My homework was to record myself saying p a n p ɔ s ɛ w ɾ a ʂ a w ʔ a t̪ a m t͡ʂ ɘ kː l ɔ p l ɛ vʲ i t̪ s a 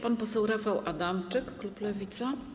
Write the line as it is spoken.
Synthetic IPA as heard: p a n p ɔ s ɛ w ɾ a f a w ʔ a d̪ a m t͡ʂ ɘ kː l u p l ɛ vʲ i t̪ s a